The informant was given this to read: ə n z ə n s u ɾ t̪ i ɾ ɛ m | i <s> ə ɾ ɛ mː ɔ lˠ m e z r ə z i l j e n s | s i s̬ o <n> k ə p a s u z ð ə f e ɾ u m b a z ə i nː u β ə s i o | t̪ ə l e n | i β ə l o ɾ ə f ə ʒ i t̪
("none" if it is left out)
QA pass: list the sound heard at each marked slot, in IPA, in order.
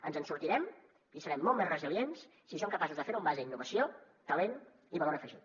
s, ŋ

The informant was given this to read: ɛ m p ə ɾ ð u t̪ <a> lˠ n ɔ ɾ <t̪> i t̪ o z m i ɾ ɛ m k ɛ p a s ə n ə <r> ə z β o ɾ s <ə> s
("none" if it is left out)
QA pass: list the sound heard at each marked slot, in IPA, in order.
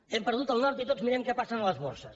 ə, t̪, l, ə

